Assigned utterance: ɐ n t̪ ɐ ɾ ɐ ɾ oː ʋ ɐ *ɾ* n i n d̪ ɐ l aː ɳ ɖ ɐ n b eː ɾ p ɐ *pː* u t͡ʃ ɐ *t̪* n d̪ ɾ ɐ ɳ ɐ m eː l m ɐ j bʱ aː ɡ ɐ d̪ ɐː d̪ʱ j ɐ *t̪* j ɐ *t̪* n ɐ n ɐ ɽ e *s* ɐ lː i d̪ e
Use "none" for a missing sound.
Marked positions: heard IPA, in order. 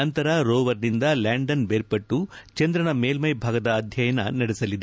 ɾ, ʈː, none, none, none, s

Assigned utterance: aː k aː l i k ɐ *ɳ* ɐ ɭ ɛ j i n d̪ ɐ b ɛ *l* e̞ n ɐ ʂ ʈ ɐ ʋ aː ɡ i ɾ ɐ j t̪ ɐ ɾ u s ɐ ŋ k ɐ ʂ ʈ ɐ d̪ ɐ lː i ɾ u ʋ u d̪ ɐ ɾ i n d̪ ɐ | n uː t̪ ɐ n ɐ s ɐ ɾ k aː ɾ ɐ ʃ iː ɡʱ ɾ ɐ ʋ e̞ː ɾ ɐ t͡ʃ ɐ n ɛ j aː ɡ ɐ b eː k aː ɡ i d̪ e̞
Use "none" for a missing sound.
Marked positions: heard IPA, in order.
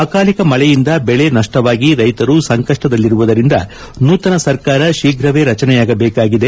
m, ɭ

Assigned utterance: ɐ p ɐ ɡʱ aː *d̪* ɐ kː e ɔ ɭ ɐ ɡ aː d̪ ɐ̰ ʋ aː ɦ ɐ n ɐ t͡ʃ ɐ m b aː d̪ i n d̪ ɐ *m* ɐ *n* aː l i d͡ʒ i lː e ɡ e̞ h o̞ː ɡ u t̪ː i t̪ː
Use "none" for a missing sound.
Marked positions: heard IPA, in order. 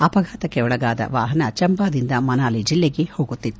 t̪, m, n

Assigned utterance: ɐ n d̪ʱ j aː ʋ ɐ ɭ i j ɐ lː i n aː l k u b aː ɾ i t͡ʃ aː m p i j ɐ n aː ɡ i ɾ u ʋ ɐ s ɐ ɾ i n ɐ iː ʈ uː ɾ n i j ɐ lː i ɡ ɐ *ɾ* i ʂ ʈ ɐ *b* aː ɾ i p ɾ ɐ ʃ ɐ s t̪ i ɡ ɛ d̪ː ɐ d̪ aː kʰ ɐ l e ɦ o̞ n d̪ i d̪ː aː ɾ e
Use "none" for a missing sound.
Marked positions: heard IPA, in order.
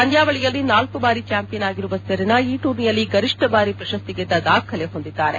ɾ, b

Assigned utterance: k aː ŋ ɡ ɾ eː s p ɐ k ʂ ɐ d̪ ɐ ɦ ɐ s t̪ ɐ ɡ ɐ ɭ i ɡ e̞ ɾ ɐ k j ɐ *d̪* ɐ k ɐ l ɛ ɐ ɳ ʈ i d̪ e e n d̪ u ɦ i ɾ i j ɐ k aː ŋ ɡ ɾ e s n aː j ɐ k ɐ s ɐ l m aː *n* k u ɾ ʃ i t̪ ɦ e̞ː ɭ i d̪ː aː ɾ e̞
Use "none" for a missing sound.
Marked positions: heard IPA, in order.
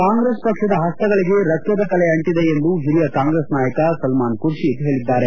d̪, n

